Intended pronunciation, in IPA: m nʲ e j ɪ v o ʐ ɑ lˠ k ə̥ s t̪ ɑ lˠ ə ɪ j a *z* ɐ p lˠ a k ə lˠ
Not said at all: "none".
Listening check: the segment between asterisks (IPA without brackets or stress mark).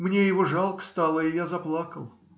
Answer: z